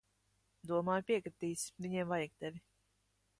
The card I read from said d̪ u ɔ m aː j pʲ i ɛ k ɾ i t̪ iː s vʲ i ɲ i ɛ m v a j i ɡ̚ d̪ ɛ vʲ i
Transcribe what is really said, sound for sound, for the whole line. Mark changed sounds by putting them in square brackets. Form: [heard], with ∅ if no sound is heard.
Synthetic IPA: d̪ u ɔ m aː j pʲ i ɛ k ɾ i t̪ iː s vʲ i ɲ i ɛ m v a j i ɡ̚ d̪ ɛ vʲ i